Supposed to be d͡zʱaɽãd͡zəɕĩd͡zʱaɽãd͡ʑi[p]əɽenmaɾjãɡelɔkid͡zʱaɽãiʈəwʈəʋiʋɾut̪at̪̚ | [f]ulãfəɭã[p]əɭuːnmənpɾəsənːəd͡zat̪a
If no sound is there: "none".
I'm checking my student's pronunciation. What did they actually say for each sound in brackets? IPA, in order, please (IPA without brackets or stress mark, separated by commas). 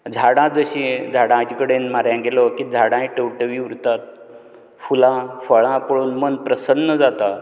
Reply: k, f, p